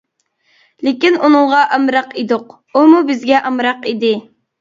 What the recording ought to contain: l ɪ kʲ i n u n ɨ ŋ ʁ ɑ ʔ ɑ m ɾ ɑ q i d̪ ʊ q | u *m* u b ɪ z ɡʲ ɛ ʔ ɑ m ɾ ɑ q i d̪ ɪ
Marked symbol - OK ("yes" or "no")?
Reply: yes